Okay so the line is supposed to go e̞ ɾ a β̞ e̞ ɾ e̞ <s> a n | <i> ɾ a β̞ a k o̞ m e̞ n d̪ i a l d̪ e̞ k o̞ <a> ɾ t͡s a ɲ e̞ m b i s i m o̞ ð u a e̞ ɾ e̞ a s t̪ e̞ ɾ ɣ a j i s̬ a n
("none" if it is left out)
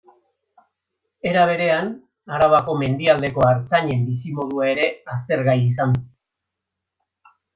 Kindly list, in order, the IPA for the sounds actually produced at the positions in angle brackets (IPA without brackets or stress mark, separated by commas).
none, a, a